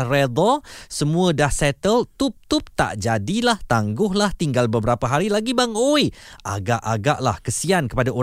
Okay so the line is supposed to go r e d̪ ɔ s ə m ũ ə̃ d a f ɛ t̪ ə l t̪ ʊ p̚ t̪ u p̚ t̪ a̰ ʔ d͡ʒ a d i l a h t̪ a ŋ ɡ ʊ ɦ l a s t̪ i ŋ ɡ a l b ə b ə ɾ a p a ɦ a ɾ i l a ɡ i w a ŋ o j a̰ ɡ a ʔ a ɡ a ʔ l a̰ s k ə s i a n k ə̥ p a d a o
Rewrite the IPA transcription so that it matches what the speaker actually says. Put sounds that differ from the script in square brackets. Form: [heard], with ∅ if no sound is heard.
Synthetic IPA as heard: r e d̪ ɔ s ə m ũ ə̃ d a [s] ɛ t̪ ə l t̪ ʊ p̚ t̪ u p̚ t̪ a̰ ʔ d͡ʒ a d i l a h t̪ a ŋ ɡ ʊ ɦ l a [h] t̪ i ŋ ɡ a l b ə b ə ɾ a p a ɦ a ɾ i l a ɡ i [b] a ŋ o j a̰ ɡ a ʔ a ɡ a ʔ l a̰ [h] k ə s i a n k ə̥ p a d a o